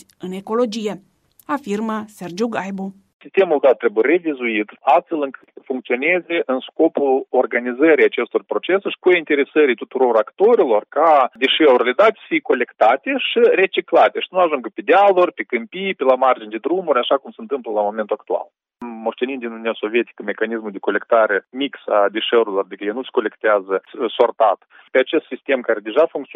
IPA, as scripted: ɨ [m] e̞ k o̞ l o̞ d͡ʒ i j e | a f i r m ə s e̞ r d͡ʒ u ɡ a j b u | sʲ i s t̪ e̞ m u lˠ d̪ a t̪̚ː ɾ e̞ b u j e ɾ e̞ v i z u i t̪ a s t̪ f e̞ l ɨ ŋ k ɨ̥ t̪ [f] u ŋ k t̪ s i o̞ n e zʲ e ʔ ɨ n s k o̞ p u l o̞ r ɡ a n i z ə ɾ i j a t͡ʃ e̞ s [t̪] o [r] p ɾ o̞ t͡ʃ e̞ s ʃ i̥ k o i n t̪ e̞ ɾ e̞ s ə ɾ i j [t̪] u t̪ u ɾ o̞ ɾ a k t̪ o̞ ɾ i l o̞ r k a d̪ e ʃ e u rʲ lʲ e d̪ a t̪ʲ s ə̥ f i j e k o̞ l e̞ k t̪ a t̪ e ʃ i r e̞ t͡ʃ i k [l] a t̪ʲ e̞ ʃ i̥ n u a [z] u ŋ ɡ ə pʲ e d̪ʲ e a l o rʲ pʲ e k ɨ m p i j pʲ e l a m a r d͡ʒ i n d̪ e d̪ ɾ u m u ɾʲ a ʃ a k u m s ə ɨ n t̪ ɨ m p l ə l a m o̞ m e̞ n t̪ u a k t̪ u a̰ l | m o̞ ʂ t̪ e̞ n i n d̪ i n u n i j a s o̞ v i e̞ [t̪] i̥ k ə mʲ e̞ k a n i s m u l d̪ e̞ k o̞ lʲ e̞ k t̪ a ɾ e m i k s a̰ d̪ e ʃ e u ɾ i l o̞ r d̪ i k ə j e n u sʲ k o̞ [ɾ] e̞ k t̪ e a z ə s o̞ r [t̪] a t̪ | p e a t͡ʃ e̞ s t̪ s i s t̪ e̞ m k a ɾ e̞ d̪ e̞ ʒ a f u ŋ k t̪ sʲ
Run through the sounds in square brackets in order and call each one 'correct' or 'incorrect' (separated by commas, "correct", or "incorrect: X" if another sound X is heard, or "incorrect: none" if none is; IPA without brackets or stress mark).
incorrect: n, correct, correct, correct, correct, correct, incorrect: ʒ, correct, incorrect: l, correct